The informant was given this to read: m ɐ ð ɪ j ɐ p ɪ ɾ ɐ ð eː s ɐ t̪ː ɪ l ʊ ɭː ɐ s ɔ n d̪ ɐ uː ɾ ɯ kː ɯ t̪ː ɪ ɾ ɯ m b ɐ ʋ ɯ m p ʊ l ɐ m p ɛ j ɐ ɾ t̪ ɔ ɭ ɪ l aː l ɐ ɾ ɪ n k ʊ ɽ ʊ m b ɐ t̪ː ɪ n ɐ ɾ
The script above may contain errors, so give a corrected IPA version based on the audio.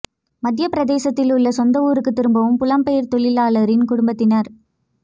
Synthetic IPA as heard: m ɐ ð ɪ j ɐ p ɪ ɾ ɐ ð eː s ɐ t̪ː ɪ l ʊ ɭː ɐ s ɔ n d̪ ɐ uː ɾ ɯ kː ɯ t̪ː ɪ ɾ ɯ m b ɐ ʋ ɯ m p ʊ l ɐ m p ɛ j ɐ ɾ t̪ ɔ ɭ ɪ l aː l ɐ ɾ ɪ n k ʊ ɽ ʊ m b ɐ t̪ː ɪ n ɐ ɾ